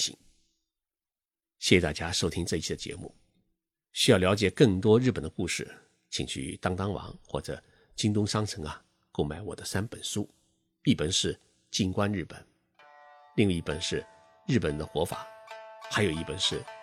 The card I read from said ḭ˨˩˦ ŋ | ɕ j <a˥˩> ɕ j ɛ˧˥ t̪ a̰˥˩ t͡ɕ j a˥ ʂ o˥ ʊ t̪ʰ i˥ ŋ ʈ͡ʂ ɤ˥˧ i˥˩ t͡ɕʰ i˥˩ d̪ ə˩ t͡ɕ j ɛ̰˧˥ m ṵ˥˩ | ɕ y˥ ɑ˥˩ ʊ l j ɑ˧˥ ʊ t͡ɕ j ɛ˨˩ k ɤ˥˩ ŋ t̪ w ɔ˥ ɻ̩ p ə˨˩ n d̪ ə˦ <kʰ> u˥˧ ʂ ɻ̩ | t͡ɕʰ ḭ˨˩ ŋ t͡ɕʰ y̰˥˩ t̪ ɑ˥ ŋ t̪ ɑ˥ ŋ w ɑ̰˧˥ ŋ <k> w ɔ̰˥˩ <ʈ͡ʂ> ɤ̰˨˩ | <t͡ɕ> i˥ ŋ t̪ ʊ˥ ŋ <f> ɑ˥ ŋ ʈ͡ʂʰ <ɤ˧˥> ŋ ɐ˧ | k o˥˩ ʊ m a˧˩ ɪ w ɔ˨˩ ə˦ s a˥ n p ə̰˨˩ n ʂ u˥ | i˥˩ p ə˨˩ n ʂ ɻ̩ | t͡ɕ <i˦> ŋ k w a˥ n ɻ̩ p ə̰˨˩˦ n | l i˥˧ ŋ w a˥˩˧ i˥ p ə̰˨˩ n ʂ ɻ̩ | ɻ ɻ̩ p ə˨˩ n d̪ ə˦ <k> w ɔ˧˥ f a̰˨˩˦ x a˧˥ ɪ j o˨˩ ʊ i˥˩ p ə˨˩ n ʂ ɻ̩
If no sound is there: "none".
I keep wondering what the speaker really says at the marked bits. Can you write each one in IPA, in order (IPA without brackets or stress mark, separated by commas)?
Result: ɛ˥˩, k, x, ʈ͡ʂ, t͡ɕ, ʂ, ɤ˧˥, i˥˩, x